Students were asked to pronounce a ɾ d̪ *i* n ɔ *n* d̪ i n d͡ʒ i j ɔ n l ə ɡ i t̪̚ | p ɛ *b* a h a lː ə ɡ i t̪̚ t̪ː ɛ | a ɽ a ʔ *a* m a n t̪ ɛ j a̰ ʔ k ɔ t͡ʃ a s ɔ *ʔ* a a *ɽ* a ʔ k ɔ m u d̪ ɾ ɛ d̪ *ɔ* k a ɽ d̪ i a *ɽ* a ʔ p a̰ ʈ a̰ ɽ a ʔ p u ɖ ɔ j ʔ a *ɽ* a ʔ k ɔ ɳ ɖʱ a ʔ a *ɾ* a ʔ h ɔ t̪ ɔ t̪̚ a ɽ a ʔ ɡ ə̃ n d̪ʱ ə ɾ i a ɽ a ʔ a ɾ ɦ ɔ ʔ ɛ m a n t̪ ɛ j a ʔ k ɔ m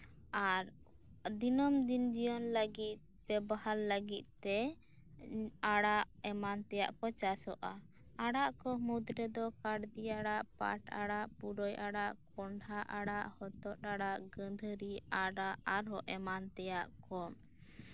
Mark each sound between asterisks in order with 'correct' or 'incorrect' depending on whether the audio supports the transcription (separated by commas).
correct, incorrect, correct, incorrect, correct, correct, correct, correct, correct, incorrect